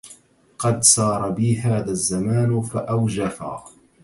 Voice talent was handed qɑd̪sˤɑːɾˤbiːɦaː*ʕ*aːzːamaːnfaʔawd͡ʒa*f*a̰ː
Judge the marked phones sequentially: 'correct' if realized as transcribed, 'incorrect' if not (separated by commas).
incorrect, correct